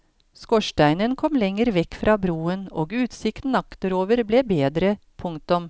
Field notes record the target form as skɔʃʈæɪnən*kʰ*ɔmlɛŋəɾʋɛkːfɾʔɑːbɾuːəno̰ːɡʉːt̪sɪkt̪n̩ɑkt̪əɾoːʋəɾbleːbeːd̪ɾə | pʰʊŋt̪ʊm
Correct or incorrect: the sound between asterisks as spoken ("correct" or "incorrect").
correct